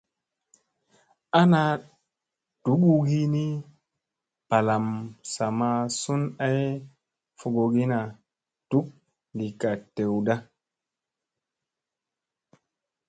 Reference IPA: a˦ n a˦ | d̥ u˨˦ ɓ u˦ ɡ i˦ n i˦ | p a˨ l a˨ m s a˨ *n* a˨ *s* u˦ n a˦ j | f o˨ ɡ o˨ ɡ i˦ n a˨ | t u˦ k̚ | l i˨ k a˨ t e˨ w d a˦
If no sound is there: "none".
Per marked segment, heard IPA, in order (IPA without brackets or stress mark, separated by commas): m, s